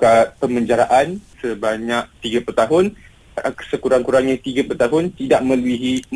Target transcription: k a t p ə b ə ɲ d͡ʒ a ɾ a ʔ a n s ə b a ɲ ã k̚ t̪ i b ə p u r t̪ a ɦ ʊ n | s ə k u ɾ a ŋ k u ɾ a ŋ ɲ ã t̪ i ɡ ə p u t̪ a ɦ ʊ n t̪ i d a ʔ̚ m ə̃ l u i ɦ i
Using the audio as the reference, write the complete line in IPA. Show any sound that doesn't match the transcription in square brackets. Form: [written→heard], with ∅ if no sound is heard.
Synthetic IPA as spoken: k a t p ə [b→m] ə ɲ d͡ʒ a ɾ a ʔ a n s ə b a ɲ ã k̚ t̪ i [b→ɡ] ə p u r t̪ a ɦ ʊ n | s ə k u ɾ a ŋ k u ɾ a ŋ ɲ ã t̪ i ɡ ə p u t̪ a ɦ ʊ n t̪ i d a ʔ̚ m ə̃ l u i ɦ i